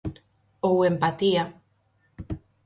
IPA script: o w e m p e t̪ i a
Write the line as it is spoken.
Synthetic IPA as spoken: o w e m p a t̪ i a